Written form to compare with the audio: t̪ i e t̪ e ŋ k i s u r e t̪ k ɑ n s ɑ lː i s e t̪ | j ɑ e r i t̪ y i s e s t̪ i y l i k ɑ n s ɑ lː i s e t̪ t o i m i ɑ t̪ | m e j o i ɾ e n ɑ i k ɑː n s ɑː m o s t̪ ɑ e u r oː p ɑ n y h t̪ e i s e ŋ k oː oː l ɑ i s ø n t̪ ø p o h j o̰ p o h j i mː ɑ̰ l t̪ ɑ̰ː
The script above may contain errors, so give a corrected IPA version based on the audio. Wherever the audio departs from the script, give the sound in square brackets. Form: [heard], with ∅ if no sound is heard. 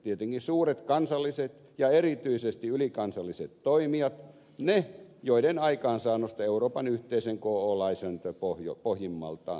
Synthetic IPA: t̪ i e t̪ e ŋ k i s [uː] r e t̪ k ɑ n s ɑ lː i s e t̪ | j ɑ e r i t̪ y i s e s t̪ i y l i k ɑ n s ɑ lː i s e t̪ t o i m i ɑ t̪ | [n] e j o i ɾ e n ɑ i k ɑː n s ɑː [n] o s t̪ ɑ e u r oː p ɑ n y h t̪ e i s e ŋ k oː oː l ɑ i s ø n t̪ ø p o h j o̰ p o h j i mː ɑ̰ l t̪ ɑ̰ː